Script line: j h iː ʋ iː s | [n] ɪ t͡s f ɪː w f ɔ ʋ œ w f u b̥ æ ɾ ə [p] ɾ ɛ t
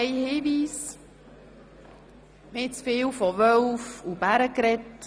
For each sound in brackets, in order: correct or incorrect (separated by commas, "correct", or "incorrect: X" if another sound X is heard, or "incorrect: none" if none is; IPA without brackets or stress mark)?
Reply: incorrect: m, incorrect: k